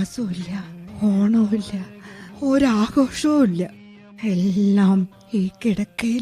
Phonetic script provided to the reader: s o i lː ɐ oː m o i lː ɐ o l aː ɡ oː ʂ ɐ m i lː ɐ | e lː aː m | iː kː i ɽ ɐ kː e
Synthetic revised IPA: s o i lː ɐ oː ɳ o i lː ɐ o ɾ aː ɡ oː ʂ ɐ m i lː ɐ | e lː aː m | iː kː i ɽ ɐ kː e